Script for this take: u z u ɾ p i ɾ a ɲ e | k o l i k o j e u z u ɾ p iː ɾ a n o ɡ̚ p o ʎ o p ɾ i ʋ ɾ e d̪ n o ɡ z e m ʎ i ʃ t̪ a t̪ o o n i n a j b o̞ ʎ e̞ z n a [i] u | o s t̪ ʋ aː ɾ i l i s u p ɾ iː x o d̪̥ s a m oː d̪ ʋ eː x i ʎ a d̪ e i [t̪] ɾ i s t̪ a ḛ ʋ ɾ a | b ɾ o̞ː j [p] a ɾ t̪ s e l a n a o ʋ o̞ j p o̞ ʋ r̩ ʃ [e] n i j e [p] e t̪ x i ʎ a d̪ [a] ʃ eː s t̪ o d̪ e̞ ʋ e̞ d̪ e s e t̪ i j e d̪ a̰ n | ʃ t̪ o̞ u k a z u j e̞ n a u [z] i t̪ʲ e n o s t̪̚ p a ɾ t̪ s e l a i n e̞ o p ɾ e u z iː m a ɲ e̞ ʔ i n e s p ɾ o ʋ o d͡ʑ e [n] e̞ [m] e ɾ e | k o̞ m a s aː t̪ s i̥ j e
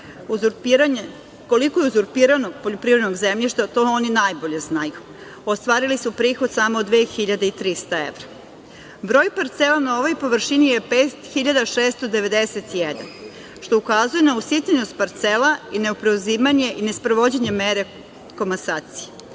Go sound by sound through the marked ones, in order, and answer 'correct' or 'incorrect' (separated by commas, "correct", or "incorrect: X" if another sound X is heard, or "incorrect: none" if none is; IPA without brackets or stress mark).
incorrect: j, correct, correct, incorrect: i, correct, correct, incorrect: s, incorrect: ɲ, correct